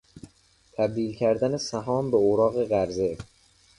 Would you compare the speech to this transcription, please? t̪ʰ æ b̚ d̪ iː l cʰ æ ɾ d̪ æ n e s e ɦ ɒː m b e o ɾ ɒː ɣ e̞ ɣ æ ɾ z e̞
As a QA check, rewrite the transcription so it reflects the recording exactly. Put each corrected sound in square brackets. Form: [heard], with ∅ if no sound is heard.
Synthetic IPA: t̪ʰ æ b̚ d̪ iː l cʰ æ ɾ d̪ æ n e s [æ] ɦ ɒː m b e o ɾ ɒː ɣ e̞ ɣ æ ɾ z e̞